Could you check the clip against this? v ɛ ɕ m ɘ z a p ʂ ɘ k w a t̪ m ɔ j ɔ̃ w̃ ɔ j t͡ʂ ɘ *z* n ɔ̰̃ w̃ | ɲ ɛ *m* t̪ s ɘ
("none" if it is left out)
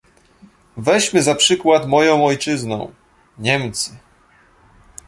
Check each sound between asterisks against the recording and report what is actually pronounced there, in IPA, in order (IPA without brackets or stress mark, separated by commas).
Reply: z, m